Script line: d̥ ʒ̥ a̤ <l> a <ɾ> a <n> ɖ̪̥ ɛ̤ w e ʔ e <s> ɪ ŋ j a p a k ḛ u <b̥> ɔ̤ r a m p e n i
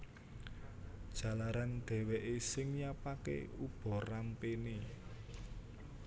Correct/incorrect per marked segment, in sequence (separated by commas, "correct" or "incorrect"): correct, correct, correct, correct, correct